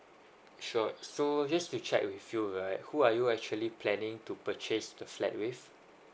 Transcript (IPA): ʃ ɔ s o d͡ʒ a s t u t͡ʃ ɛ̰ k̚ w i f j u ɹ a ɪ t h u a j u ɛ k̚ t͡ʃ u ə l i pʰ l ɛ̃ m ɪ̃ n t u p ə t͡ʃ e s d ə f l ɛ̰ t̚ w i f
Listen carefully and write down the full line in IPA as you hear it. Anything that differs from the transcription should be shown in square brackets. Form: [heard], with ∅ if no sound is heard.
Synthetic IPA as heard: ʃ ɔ s o d͡ʒ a s t u t͡ʃ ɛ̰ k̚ w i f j u ɹ a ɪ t h u a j u ɛ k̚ t͡ʃ u ə l i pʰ l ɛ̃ [n] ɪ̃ [ŋ] t u p ə t͡ʃ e s d ə f l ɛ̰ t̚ w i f